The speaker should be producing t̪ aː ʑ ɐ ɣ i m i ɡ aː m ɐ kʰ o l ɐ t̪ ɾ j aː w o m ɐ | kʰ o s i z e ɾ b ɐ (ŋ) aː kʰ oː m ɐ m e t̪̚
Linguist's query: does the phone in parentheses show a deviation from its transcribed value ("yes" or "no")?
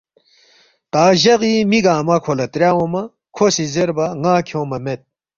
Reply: no